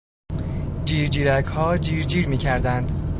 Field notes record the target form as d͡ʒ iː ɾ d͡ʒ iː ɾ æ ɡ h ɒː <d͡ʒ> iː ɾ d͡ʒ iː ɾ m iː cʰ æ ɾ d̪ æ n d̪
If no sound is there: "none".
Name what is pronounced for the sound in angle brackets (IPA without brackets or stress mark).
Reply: d͡ʒ